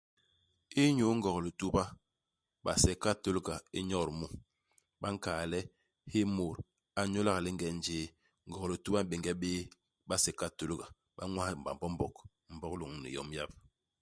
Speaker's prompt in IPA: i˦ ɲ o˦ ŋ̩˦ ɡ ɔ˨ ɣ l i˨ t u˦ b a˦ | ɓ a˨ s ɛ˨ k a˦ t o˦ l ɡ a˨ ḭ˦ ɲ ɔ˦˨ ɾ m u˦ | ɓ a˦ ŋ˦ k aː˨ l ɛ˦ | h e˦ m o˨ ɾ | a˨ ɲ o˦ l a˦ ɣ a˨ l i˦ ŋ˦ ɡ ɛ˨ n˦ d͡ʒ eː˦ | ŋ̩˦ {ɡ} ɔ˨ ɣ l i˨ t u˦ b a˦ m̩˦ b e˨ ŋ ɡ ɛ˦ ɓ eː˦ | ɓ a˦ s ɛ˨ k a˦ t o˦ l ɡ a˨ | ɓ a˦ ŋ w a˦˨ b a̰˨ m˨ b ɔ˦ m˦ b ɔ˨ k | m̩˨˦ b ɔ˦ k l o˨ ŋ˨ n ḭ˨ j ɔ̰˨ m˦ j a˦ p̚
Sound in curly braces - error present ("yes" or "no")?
no